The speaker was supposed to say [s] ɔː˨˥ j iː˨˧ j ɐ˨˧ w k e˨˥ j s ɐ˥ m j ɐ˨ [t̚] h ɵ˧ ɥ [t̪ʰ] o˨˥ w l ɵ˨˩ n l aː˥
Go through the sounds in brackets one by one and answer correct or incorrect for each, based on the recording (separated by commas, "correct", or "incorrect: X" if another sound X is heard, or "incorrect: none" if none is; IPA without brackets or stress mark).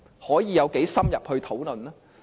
incorrect: h, incorrect: p̚, correct